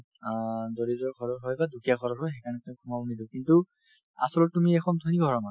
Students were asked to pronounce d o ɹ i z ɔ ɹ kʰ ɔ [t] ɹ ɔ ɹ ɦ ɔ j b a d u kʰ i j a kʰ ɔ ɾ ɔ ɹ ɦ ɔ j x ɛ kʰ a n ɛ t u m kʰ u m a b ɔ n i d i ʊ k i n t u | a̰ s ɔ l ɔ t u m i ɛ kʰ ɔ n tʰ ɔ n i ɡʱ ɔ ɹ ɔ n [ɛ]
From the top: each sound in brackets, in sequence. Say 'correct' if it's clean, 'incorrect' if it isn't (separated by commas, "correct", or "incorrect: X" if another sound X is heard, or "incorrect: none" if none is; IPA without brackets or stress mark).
incorrect: none, incorrect: a